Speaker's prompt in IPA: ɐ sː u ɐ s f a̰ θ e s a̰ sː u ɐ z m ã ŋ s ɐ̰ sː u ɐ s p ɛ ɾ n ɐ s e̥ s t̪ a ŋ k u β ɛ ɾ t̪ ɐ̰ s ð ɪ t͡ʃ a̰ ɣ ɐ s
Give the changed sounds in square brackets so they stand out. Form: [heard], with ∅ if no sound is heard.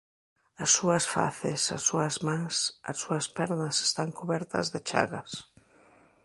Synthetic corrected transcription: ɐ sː u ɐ s f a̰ θ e s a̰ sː u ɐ z m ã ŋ s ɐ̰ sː u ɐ s p ɛ ɾ n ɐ s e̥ s t̪ a ŋ k u β ɛ ɾ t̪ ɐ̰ [z] ð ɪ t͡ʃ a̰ ɣ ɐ s